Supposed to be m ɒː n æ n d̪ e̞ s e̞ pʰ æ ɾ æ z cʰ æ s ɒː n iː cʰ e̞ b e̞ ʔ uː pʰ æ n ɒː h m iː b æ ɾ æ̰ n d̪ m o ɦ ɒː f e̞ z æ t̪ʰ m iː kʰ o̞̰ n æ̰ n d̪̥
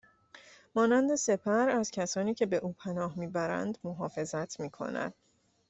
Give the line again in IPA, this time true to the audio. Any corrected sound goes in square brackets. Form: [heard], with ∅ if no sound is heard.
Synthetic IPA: m ɒː n æ n d̪ e̞ s e̞ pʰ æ ɾ æ z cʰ æ s ɒː n iː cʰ e̞ b e̞ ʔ uː pʰ æ n ɒː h m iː b æ ɾ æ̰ n d̪ m o ɦ ɒː f e̞ z æ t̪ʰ m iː kʰ o̞̰ n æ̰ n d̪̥